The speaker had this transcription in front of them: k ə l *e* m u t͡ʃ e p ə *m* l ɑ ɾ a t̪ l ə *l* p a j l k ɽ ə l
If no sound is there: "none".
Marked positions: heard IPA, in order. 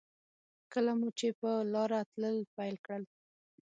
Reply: a, none, l

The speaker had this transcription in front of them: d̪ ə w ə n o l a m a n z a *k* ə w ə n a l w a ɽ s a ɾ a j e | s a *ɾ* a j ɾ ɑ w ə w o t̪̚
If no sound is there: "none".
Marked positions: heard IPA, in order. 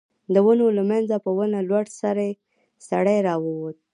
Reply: p, ɽ

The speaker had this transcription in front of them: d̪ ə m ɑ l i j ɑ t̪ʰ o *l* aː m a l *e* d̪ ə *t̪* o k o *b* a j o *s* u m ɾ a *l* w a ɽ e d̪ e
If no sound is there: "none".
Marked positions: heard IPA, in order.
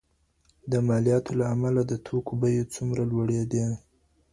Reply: l, a, t̪ʰ, b, t͡s, l

